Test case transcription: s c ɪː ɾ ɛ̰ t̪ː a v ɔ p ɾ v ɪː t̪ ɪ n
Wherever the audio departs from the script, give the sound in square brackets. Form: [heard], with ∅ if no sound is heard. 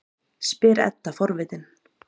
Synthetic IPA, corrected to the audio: s [p] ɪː ɾ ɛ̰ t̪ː a [f] ɔ [∅] ɾ v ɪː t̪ ɪ n